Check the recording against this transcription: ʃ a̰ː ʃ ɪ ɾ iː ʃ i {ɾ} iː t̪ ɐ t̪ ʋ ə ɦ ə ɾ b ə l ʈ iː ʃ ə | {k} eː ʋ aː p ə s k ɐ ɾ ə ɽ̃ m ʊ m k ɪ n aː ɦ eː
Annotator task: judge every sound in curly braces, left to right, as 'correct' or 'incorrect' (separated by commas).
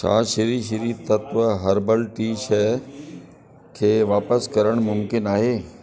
correct, incorrect